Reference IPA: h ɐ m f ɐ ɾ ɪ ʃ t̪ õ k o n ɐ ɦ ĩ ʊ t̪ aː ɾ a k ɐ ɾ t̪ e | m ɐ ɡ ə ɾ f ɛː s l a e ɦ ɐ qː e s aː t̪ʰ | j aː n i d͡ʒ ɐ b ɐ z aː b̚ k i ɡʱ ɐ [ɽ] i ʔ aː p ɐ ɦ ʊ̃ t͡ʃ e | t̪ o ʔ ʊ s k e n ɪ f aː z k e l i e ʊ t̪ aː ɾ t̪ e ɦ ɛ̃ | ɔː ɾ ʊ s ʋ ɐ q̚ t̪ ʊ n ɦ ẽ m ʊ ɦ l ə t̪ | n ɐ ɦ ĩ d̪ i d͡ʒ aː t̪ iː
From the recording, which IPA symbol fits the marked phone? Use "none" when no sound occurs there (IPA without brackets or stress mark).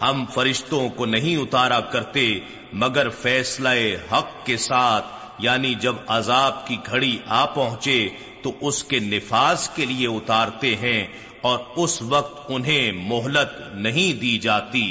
ɽ